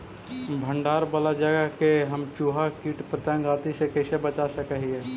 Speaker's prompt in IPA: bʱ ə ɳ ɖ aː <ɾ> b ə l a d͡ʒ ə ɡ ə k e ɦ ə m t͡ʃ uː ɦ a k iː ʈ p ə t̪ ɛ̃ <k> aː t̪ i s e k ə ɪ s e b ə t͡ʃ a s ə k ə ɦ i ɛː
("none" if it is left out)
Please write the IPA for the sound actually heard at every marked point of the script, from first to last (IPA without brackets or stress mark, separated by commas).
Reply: ɾ, ɡ